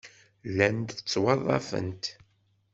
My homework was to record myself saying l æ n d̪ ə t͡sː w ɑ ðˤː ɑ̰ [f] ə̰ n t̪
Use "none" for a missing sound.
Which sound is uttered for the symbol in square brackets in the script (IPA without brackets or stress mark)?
f